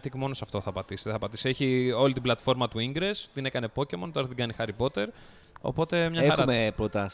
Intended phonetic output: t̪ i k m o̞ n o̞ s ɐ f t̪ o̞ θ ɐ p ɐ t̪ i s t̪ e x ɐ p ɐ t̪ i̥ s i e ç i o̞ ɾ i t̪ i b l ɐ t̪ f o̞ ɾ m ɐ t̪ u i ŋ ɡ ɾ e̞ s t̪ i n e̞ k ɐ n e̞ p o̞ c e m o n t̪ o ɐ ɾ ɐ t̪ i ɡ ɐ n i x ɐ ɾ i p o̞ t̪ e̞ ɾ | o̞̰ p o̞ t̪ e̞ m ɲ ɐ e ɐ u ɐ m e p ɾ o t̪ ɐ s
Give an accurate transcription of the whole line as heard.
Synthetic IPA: t̪ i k m o̞ n o̞ s ɐ f t̪ o̞ θ ɐ p ɐ t̪ i s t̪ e θ ɐ p ɐ t̪ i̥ s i e ç i o̞ l i t̪ i b l ɐ t̪ f o̞ ɾ m ɐ t̪ u i ŋ ɡ ɾ e̞ s t̪ i n e̞ k ɐ n e̞ p o̞ c e m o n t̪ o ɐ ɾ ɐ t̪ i ɡ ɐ n i x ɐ ɾ i p o̞ t̪ e̞ ɾ | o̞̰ p o̞ t̪ e̞ m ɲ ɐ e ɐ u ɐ m e p ɾ o t̪ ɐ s